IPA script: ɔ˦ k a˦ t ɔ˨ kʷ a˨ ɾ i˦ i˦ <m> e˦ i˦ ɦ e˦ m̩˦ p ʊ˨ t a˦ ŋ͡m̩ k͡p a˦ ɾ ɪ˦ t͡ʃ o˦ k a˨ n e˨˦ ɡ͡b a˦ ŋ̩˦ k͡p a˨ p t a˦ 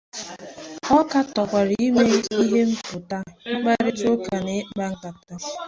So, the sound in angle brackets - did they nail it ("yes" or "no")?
yes